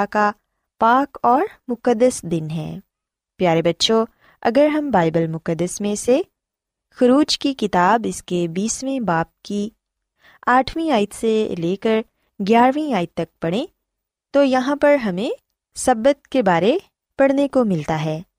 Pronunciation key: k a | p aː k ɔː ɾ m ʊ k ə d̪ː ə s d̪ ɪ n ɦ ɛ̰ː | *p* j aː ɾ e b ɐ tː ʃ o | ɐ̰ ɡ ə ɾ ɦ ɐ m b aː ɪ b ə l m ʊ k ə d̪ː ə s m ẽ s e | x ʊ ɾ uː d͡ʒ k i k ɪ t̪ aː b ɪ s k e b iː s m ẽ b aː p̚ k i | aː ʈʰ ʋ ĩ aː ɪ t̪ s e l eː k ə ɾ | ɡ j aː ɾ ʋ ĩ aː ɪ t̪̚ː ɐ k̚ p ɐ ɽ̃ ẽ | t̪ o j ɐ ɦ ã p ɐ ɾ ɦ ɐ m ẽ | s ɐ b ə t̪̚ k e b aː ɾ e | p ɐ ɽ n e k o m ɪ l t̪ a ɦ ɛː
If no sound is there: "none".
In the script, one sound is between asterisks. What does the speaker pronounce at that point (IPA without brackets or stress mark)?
p